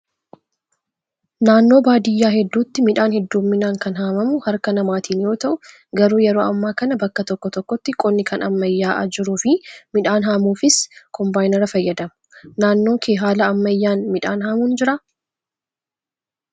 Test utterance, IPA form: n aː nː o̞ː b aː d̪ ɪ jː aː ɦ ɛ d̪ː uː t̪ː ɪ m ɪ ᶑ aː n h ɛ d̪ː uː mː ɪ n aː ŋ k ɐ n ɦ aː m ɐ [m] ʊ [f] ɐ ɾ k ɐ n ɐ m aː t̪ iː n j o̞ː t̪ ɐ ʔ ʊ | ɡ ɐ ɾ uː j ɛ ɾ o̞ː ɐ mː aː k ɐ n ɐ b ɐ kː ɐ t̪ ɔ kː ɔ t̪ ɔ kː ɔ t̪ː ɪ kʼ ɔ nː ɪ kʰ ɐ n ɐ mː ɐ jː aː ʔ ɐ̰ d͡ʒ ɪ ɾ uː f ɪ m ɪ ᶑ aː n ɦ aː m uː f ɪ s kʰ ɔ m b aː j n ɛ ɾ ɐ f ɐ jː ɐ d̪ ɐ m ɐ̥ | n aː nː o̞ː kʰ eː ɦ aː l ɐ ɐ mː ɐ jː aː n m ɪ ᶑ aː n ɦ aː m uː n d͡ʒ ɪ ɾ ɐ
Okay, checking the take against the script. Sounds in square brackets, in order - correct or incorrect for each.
correct, incorrect: h

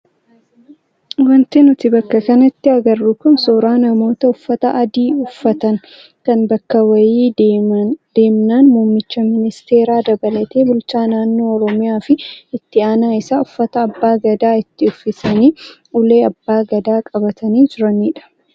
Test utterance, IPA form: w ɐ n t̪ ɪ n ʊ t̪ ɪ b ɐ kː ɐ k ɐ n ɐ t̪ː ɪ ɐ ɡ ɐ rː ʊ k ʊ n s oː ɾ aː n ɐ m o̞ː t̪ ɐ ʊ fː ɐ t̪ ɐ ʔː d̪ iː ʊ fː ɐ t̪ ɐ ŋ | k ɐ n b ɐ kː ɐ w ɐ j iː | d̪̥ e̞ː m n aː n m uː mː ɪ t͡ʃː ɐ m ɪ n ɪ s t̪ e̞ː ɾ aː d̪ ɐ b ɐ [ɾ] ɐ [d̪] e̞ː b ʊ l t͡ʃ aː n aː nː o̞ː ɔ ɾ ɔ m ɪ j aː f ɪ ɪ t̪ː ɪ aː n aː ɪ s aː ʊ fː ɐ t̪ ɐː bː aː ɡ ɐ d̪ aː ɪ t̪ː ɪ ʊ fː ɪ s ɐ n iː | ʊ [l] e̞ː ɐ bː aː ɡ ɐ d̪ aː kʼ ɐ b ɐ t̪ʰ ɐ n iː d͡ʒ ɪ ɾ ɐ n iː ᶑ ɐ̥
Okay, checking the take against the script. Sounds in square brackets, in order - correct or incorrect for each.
incorrect: l, incorrect: t̪, correct

